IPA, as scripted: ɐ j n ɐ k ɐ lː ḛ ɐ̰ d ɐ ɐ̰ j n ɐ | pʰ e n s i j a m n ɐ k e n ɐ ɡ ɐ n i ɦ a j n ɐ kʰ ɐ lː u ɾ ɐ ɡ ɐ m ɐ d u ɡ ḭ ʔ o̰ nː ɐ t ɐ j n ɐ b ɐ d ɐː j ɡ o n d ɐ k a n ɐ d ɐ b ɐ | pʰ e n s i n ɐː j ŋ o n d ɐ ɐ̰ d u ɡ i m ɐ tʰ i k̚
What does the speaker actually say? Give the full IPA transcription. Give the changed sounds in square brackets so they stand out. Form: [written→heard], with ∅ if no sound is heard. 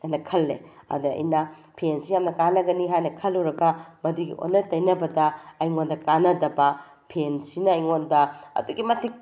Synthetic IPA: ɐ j n ɐ [k→kʰ] ɐ lː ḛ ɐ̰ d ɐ ɐ̰ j n ɐ | pʰ e n s i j a m n ɐ k [e→a] n ɐ ɡ ɐ n i ɦ a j n ɐ kʰ ɐ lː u ɾ ɐ ɡ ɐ m ɐ d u ɡ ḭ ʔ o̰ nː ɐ t ɐ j n ɐ b ɐ d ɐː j [ɡ→ŋ] o n d ɐ k a n ɐ d ɐ b ɐ | pʰ e n s i n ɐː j ŋ o n d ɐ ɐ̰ d u ɡ i m ɐ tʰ i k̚